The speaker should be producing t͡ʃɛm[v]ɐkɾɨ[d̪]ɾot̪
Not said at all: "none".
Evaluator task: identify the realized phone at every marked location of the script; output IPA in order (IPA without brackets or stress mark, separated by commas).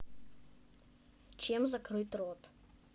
z, t̪